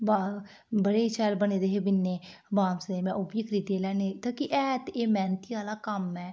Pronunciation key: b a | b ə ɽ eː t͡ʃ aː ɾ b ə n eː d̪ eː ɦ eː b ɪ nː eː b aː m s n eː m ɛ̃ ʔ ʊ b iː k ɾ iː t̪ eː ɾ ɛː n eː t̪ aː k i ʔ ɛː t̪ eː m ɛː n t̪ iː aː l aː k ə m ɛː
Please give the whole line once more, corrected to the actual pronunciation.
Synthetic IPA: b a | b ə ɽ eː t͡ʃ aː l b ə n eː d̪ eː ɦ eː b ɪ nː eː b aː m s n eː m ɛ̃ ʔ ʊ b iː k ɾ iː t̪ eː l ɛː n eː t̪ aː k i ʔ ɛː t̪ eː m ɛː n t̪ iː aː l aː k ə m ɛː